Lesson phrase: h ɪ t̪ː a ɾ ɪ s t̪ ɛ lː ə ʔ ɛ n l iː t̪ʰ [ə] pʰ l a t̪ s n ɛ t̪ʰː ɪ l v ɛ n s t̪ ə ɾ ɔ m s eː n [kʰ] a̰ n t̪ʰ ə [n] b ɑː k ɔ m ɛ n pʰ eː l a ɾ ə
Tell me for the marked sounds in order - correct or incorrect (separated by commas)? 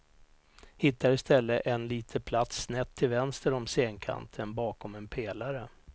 correct, correct, correct